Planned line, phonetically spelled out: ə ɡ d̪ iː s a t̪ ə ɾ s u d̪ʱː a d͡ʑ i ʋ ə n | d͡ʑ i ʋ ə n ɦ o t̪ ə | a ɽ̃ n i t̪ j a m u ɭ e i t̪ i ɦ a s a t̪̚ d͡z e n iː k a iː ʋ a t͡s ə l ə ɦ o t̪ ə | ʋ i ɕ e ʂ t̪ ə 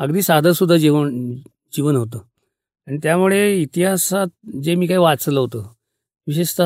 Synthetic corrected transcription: ə ɡ d̪ iː s a d̪ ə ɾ s u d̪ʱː a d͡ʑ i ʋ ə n | d͡ʑ i ʋ ə n ɦ o t̪ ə | a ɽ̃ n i t̪ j a m u ɭ e i t̪ i ɦ a s a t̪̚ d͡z e m iː k a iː ʋ a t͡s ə l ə ɦ o t̪ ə | ʋ i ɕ e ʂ t̪ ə